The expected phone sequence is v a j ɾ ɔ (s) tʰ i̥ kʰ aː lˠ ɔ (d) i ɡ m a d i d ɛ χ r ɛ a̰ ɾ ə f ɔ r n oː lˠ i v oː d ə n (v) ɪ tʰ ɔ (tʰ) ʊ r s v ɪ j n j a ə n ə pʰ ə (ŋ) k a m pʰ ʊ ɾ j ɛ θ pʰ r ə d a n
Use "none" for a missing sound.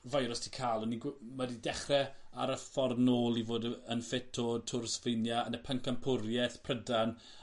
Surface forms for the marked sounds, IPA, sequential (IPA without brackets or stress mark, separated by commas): s, n, f, tʰ, ŋ